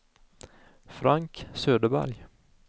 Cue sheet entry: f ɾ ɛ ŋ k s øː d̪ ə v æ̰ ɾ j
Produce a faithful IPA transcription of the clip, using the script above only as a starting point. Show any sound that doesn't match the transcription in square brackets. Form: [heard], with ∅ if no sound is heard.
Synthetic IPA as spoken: f ɾ [a] ŋ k s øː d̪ ə [b] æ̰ ɾ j